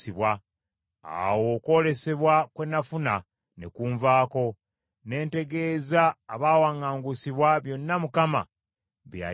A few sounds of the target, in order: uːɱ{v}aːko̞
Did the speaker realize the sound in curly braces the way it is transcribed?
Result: yes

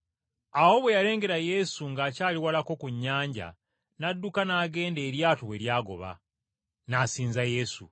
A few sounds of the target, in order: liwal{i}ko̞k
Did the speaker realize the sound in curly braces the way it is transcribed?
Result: no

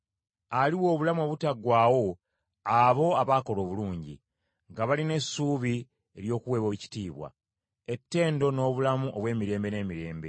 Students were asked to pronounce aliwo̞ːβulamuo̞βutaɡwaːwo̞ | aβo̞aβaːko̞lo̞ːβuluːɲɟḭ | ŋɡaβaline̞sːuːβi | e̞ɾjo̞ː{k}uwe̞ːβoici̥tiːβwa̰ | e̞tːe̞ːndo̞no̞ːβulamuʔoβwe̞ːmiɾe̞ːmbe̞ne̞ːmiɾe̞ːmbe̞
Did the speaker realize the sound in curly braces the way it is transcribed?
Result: yes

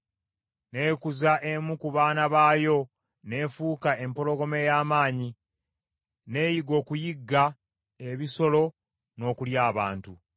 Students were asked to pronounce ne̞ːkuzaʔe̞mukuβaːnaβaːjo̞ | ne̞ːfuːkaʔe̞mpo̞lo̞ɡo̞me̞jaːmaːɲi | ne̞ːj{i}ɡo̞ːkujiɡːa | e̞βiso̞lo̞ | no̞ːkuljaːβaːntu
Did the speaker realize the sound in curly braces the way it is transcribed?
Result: yes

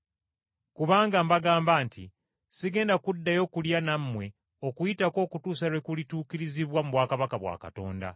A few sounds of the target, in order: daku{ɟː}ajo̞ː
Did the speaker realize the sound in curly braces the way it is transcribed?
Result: no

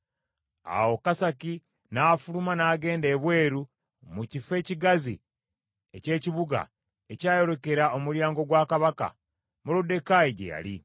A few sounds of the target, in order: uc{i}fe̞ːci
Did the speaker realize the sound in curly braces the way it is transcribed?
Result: yes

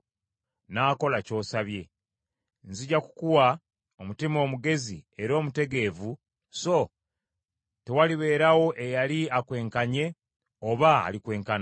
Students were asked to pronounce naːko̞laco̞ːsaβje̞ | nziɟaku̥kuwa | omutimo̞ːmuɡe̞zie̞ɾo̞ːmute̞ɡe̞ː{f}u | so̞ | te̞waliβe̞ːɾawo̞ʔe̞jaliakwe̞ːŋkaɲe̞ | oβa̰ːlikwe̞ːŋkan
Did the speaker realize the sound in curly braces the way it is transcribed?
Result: no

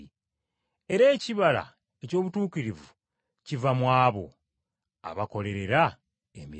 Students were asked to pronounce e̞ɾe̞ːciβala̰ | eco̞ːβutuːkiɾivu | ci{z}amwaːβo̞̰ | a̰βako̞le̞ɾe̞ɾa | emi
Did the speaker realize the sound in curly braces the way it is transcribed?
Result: no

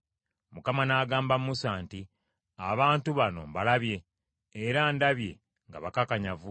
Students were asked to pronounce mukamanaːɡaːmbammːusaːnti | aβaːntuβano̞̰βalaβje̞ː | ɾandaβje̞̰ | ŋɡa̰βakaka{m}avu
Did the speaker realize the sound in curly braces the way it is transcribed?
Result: no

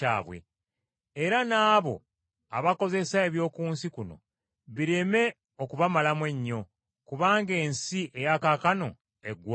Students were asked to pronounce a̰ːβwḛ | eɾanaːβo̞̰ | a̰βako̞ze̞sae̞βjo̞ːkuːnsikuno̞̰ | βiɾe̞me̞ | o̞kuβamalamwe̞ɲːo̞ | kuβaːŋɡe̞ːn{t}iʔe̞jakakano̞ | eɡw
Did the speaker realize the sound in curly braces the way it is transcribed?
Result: no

